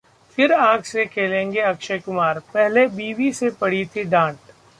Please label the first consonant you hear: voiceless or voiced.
voiceless